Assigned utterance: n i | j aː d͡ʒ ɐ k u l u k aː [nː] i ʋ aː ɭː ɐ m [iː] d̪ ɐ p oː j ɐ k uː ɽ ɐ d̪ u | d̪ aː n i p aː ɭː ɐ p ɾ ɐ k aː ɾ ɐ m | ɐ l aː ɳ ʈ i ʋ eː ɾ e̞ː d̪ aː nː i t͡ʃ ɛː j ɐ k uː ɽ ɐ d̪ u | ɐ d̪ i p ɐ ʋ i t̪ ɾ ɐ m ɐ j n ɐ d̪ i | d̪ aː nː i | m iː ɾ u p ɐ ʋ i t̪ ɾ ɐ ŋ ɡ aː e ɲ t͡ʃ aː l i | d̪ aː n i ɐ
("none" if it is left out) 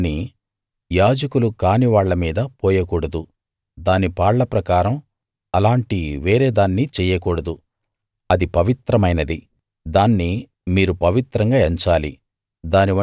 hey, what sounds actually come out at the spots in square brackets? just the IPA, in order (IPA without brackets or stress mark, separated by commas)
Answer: n, iː